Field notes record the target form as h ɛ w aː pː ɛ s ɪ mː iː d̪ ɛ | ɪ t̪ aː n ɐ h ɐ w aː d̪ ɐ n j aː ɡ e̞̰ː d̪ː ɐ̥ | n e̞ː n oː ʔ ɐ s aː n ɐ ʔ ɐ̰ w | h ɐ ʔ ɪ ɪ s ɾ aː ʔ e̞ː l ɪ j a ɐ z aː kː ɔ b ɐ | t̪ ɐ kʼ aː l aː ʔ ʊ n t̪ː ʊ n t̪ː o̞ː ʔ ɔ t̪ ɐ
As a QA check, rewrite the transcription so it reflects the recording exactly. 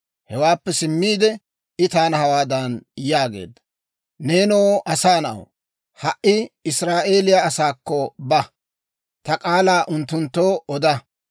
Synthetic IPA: h ɛ w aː pː ɛ s ɪ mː iː d̪ ɛ | ɪ t̪ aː n ɐ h ɐ w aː d̪ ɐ n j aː ɡ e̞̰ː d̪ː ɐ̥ | n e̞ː n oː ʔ ɐ s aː n ɐ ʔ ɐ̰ w | h ɐ ʔ ɪ ɪ s ɾ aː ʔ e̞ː l ɪ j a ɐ s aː kː ɔ b ɐ | t̪ ɐ kʼ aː l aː ʔ ʊ n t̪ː ʊ n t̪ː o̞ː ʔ ɔ d̪ ɐ